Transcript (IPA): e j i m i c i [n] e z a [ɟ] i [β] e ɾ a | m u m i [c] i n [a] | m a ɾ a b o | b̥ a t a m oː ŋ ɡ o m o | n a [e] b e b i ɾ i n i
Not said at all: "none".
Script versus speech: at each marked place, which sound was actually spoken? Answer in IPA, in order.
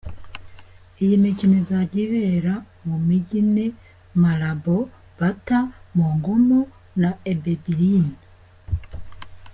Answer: n, ɟ, β, ɟ, e, e

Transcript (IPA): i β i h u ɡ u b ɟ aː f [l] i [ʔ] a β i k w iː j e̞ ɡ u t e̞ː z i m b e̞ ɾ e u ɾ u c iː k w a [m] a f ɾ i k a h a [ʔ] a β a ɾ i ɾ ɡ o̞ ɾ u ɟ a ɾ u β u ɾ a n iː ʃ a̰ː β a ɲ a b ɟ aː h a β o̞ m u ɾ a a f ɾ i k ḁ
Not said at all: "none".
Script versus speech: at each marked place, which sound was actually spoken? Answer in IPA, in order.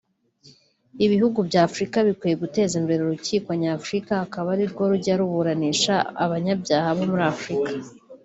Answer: ɾ, k, ɲ, k

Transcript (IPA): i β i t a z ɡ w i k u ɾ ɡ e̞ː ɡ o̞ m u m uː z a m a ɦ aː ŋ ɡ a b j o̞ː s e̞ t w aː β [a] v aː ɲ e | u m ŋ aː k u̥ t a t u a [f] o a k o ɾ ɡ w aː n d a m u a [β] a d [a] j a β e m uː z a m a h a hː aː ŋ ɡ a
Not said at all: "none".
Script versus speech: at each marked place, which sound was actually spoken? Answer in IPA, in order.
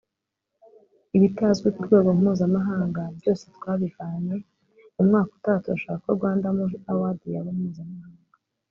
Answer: i, ʃ, w, i

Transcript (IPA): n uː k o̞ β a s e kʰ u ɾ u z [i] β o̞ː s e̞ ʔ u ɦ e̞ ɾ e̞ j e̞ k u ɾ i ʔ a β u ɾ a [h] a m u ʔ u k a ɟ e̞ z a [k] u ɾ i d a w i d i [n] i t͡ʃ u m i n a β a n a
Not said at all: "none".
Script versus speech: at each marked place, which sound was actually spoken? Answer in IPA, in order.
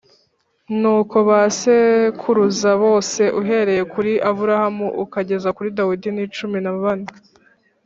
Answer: a, h, k, n

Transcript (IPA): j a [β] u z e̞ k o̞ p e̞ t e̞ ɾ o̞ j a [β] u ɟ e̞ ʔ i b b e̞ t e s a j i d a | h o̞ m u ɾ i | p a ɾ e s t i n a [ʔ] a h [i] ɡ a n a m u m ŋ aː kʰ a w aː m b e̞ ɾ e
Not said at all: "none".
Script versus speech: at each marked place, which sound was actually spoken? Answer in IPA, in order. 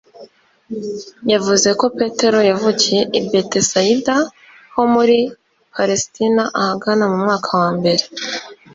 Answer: v, v, ʔ, a

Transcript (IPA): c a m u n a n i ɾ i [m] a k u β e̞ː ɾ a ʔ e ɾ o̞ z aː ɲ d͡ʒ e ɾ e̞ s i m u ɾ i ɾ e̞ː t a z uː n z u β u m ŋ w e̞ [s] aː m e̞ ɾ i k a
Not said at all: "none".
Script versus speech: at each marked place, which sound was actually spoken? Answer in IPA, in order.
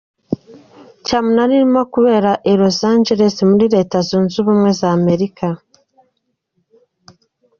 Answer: m, z

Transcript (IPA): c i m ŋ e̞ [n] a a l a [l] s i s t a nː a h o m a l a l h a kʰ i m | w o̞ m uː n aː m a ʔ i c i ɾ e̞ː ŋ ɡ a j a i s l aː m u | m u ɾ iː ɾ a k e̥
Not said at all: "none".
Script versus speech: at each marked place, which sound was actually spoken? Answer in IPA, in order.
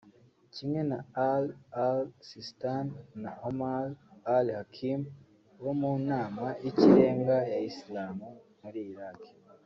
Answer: n, l

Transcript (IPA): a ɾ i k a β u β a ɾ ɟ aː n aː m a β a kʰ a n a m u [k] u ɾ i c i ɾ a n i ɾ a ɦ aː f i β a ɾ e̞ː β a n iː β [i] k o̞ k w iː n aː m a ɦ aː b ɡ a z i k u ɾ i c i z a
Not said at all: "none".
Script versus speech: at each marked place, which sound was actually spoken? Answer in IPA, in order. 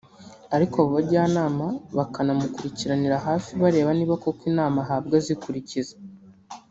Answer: k, a

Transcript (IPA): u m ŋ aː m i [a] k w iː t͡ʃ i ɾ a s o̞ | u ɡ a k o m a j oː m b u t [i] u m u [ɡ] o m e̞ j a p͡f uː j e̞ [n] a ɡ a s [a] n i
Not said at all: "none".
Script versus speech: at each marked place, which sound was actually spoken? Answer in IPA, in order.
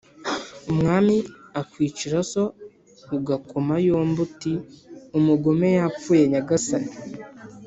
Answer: a, i, ɡ, ɲ, a

